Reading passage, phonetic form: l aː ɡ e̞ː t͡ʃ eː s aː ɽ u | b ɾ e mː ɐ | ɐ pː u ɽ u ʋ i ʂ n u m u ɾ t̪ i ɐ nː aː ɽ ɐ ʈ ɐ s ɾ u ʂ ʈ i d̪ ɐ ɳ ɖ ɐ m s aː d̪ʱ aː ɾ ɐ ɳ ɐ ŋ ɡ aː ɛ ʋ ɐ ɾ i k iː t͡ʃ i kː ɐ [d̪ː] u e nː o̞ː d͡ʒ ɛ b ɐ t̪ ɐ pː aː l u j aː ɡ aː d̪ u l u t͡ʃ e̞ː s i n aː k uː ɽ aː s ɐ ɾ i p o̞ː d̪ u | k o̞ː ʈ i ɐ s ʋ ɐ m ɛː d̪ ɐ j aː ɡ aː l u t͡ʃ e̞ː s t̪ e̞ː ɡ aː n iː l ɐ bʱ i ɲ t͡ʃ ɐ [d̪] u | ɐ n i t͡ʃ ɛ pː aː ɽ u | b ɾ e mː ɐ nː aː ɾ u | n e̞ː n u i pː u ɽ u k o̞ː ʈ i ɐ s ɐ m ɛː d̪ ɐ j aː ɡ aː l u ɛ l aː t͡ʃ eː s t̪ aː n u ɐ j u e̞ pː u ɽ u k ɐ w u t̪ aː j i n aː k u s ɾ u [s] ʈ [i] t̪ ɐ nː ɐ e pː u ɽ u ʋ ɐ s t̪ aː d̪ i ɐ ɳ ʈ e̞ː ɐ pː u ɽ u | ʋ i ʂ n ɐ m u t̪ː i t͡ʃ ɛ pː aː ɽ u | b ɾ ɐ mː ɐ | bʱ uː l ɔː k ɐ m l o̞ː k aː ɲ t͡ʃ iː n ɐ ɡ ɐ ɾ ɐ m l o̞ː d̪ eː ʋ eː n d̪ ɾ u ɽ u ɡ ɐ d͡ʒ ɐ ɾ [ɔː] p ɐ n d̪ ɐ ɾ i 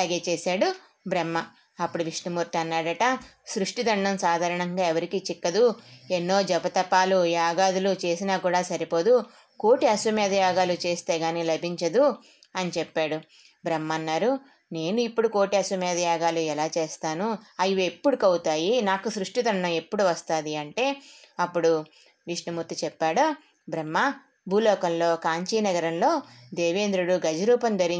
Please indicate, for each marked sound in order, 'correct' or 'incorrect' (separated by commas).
incorrect, correct, incorrect, correct, incorrect